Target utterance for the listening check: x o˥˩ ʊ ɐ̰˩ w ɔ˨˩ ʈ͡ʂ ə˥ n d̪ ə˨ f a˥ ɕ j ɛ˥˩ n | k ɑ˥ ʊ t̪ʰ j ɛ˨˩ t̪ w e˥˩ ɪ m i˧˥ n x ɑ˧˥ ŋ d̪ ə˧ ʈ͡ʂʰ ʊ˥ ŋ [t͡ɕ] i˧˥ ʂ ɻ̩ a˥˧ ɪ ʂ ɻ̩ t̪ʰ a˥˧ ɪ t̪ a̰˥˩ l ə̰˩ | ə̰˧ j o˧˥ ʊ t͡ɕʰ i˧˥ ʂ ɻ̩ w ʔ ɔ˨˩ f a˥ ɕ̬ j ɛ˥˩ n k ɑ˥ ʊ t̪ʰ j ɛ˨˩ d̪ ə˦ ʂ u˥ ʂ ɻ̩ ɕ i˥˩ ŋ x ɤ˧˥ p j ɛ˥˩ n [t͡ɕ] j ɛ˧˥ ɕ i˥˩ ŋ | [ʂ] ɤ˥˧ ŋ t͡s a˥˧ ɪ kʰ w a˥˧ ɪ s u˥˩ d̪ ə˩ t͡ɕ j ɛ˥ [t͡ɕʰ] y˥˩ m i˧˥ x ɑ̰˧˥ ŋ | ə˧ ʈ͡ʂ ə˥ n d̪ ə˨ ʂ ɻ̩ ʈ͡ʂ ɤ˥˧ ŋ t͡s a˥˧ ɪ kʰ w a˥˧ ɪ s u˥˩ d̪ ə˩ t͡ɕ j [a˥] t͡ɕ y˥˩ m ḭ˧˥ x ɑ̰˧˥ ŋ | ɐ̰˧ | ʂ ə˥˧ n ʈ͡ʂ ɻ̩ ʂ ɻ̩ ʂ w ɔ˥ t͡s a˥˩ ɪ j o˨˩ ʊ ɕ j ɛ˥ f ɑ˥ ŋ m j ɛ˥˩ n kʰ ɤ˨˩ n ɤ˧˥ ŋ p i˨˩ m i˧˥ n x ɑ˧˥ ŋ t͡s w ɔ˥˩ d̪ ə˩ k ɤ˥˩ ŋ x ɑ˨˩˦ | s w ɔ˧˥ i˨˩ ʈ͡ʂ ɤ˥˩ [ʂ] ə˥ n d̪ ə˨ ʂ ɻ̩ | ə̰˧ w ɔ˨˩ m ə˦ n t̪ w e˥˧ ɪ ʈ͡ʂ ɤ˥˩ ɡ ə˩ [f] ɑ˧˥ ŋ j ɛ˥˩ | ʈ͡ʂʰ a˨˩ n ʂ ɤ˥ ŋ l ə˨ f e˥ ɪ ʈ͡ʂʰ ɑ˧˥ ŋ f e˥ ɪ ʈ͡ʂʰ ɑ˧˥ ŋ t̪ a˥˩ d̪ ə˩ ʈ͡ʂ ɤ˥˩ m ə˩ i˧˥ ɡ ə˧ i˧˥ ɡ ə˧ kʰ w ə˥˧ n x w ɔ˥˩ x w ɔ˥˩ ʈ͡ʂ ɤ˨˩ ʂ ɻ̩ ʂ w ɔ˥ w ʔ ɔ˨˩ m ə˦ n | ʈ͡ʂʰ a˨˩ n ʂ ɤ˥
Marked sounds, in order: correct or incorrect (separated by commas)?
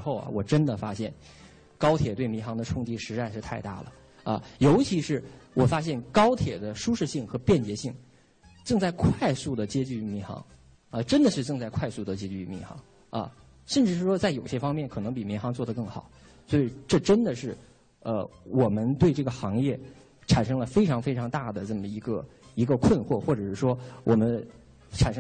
correct, correct, incorrect, incorrect, incorrect, incorrect, incorrect